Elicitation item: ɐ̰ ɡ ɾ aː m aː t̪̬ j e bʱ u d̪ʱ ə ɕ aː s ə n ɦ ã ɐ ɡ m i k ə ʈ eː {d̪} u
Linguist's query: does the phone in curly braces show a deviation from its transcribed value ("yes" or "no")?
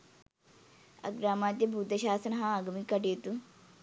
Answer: yes